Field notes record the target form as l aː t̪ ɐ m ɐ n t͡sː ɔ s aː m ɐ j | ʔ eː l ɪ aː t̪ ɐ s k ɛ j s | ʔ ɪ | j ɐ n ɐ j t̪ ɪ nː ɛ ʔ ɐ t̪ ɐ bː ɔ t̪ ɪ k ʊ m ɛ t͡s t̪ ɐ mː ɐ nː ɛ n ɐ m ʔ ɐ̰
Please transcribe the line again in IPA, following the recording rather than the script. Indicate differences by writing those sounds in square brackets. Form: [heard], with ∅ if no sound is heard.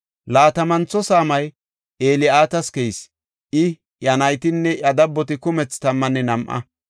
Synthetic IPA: l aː t̪ ɐ m ɐ n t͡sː ɔ s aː m ɐ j | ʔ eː l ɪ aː t̪ ɐ s k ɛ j s | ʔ ɪ | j ɐ n ɐ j t̪ ɪ nː ɛ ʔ ɐ [d̪] ɐ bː ɔ t̪ ɪ k ʊ m ɛ t͡s t̪ ɐ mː ɐ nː ɛ n ɐ m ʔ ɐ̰